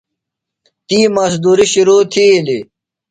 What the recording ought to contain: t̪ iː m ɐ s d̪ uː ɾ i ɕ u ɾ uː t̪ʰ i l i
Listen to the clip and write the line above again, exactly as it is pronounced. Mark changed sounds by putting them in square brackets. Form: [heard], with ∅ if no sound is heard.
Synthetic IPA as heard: t̪ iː m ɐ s d̪ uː ɾ i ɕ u ɾ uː t̪ʰ i l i